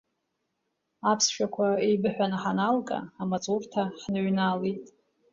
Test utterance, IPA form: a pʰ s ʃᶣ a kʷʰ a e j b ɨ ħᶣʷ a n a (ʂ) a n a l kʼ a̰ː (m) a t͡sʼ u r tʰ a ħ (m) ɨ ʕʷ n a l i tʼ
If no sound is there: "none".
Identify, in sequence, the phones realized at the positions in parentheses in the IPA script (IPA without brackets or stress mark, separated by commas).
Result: ħ, m, n